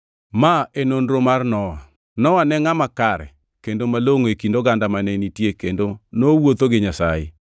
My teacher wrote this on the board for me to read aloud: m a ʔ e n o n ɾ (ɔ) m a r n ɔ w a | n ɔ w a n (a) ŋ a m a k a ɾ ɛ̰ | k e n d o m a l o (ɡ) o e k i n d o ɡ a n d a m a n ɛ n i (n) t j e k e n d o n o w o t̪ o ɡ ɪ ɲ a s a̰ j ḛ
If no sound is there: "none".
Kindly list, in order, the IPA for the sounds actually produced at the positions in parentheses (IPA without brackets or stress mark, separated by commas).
o, ɛ, ŋ, none